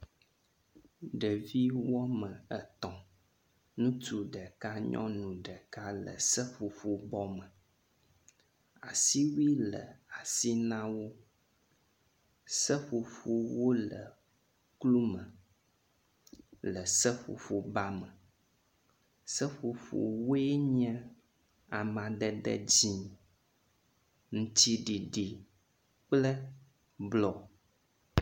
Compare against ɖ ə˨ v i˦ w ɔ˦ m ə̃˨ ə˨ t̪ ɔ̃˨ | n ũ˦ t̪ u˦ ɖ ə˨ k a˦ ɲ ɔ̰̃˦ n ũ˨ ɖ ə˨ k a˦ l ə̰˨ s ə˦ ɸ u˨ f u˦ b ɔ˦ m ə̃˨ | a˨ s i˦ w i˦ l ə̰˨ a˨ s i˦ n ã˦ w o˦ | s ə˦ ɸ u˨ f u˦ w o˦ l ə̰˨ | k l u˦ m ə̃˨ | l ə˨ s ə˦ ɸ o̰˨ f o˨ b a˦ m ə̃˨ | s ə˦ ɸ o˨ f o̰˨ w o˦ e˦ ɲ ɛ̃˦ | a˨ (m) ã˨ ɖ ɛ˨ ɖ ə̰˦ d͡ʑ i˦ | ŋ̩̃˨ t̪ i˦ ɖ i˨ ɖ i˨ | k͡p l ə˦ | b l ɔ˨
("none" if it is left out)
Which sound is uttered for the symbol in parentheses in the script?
m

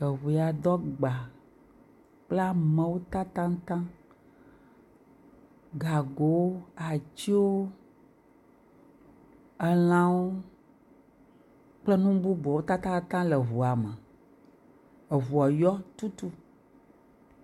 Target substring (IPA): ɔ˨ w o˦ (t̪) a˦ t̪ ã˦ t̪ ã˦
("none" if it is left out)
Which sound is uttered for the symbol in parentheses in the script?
t̪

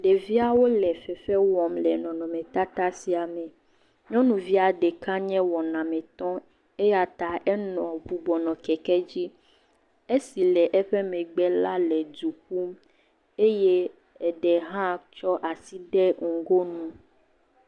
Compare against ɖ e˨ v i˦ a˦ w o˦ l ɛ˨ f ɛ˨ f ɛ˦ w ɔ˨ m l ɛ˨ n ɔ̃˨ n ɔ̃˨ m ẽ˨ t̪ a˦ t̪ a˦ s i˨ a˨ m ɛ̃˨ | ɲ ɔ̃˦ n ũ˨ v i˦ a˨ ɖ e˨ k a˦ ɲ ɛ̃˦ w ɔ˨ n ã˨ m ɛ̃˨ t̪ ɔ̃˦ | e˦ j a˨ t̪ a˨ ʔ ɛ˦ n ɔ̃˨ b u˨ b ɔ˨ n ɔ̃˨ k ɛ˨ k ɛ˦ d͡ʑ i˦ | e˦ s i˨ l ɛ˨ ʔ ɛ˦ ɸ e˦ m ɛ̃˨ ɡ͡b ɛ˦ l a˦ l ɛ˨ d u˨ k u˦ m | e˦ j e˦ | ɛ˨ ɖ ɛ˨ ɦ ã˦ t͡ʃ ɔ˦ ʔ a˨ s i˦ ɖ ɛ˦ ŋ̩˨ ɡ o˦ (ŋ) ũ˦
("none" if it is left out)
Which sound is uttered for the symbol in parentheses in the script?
n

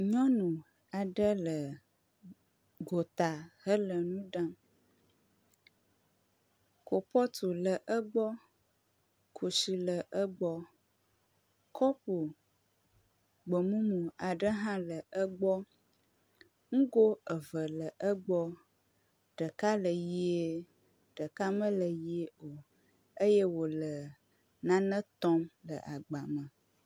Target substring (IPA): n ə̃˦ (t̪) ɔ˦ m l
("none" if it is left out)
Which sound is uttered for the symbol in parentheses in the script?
t̪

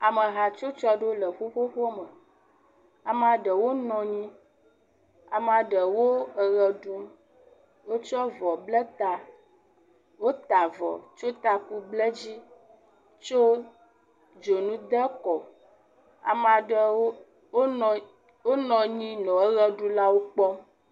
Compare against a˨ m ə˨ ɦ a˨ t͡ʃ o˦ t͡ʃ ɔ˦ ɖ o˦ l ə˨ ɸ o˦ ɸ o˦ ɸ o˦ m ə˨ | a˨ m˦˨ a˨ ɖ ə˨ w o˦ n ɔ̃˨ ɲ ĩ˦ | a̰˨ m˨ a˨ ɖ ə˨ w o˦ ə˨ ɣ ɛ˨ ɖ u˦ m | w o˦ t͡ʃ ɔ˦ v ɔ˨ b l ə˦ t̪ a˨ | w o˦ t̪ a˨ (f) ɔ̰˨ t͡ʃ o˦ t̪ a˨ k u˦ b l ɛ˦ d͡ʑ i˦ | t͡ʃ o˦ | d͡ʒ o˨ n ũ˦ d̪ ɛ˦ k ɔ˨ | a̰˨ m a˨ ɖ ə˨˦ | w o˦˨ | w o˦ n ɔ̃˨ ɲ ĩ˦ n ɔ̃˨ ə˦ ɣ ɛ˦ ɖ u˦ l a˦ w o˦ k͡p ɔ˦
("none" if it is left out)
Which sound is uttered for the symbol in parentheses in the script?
v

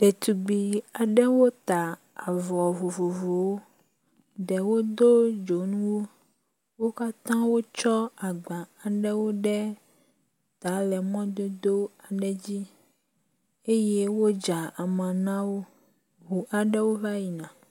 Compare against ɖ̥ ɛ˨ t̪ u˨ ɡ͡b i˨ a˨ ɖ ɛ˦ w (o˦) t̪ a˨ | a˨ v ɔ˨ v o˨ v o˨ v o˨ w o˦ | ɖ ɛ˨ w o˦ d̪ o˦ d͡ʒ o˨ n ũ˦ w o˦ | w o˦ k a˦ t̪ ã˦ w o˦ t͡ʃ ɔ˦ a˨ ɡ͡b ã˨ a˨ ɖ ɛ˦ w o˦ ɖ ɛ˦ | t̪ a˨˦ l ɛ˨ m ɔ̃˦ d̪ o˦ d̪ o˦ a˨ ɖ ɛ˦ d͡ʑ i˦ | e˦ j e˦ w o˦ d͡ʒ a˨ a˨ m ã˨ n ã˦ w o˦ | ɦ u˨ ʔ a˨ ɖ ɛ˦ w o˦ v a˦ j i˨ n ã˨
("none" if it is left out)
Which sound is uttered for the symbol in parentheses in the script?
o˦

